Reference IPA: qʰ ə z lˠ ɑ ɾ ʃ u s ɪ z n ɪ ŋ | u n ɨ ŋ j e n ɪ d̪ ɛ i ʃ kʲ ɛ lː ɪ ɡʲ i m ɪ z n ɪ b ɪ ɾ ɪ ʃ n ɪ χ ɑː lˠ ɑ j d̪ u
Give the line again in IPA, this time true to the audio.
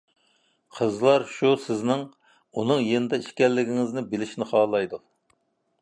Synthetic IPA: qʰ ə z lˠ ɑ ɾ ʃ u s ɪ z n ɪ ŋ | u n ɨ ŋ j e n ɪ d̪ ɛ i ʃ kʲ ɛ lː ɪ ɡʲ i ŋ ɪ z n ɪ b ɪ l ɪ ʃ n ɪ χ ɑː lˠ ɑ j d̪ u